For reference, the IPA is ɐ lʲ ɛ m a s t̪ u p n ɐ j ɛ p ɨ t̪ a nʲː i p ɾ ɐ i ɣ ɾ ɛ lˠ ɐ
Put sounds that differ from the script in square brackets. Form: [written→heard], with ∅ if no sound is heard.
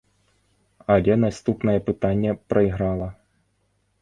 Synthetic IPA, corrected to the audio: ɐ lʲ ɛ [m→n] a s t̪ u p n ɐ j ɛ p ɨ t̪ a nʲː [i→ɛ] p ɾ ɐ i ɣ ɾ [ɛ→a] lˠ ɐ